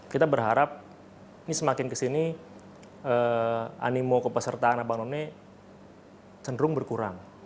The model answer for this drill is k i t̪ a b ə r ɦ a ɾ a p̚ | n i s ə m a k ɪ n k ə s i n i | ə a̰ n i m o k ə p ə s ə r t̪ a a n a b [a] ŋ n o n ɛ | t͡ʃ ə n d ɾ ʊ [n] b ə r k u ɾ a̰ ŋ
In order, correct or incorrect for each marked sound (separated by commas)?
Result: correct, incorrect